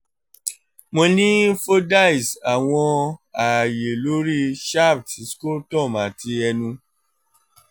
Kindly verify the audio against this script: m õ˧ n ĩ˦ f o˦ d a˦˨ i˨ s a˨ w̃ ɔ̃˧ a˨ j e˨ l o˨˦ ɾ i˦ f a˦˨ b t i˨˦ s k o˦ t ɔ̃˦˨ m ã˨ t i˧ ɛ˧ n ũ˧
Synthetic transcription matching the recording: m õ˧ n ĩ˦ f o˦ d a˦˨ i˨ s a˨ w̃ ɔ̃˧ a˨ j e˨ l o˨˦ ɾ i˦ ʃ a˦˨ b t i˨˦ s k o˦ t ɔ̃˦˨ m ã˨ t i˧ ɛ˧ n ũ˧